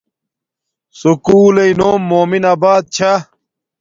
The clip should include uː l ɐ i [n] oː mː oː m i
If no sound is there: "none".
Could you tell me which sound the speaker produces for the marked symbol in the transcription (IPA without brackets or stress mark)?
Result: n